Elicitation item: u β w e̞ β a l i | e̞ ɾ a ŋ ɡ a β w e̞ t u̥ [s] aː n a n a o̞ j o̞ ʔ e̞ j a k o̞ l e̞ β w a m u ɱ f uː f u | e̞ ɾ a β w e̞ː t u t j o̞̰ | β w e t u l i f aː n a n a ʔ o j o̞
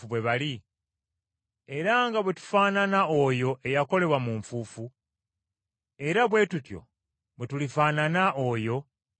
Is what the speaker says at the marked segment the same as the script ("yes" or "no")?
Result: no